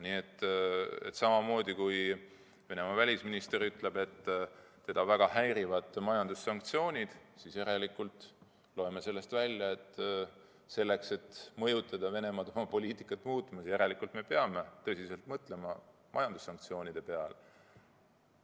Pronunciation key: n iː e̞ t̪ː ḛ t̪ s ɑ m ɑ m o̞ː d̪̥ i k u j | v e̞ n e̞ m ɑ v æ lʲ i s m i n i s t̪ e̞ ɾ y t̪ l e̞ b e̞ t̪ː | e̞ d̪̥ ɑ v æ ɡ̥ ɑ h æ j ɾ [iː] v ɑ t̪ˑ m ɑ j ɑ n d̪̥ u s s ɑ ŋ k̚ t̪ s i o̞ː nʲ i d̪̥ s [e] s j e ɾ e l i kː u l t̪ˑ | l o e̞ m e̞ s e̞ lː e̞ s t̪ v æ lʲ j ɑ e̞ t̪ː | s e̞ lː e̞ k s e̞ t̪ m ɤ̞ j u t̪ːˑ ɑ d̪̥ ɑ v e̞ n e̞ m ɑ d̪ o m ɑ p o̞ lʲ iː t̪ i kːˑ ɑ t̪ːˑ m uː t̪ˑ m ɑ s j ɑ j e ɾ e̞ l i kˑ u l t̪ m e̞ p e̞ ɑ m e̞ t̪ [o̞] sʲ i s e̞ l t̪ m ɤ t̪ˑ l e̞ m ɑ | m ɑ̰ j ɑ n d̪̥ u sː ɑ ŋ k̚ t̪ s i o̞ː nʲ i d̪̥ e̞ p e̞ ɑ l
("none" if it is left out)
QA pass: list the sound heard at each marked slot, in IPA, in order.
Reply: i, i, ɤ̞

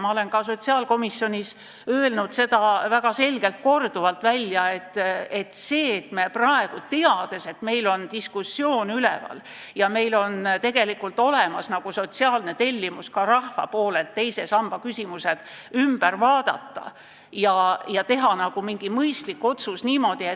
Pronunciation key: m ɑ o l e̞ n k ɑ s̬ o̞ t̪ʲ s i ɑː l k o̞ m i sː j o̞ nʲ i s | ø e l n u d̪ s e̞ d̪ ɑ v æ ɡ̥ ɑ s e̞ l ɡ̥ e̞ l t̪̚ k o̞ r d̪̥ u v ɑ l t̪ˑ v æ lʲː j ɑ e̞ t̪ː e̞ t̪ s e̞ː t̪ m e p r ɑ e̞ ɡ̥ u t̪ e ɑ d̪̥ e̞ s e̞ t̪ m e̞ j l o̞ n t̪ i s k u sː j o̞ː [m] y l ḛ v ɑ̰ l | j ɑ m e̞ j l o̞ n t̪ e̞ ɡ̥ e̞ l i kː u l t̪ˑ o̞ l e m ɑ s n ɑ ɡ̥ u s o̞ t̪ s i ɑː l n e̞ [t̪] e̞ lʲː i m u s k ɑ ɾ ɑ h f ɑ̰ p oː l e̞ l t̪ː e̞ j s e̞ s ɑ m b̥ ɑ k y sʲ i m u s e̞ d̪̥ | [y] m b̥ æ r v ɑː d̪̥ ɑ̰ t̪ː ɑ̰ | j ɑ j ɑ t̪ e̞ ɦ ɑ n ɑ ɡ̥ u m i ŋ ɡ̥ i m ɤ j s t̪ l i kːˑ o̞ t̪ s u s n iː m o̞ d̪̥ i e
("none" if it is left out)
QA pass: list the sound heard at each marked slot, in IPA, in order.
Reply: n, t̪, y

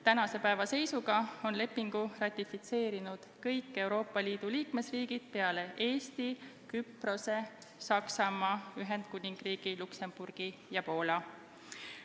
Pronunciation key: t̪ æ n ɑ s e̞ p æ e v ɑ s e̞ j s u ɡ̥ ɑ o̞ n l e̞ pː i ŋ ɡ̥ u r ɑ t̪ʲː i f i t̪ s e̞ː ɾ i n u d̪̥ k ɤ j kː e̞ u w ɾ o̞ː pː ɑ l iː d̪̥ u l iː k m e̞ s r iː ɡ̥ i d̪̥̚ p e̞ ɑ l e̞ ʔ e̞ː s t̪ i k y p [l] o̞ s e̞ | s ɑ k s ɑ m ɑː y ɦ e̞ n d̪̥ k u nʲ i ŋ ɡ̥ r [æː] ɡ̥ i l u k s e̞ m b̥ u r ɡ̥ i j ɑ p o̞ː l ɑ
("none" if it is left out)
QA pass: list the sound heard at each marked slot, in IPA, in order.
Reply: r, iː

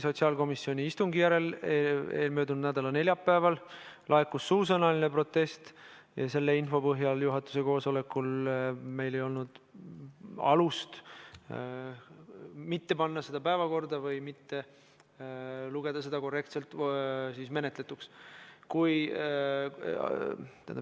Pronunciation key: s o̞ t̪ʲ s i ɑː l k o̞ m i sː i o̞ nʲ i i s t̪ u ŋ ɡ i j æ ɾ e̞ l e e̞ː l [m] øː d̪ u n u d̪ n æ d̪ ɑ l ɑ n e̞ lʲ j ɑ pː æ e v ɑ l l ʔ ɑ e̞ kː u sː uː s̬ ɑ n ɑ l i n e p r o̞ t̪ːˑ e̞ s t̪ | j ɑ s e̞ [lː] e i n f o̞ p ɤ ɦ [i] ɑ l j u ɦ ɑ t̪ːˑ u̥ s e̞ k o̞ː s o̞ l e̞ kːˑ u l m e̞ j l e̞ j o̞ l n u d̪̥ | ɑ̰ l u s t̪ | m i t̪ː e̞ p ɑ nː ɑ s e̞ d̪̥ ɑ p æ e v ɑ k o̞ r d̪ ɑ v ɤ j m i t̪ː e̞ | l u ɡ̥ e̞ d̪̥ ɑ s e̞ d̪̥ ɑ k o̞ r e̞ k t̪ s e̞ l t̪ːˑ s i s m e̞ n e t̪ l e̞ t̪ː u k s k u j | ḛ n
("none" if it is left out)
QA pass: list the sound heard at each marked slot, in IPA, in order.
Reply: m, lː, j

